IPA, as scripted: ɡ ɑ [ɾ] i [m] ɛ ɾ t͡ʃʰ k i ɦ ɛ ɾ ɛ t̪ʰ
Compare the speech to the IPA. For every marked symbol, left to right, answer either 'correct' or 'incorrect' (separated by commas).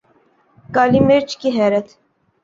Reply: incorrect, correct